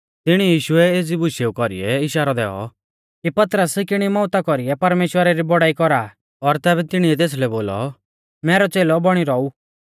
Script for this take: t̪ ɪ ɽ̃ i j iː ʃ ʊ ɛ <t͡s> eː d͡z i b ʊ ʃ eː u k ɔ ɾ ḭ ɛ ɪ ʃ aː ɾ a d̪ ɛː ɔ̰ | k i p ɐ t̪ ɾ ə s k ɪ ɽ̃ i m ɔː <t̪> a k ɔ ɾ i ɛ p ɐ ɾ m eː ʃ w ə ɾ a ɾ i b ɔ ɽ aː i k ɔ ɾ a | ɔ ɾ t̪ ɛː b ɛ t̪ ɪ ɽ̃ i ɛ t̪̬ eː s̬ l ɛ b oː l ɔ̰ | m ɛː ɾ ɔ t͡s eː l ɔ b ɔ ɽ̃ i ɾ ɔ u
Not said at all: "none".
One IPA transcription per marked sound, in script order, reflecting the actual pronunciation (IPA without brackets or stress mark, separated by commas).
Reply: none, t̪